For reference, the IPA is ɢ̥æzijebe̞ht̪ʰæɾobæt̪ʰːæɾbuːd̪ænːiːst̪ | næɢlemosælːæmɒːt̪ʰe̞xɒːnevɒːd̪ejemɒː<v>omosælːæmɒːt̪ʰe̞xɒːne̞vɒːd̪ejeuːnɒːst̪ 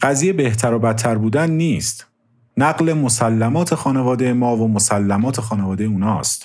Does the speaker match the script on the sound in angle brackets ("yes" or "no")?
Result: yes